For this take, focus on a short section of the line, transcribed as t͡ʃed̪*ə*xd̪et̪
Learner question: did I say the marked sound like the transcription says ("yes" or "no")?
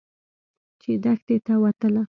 no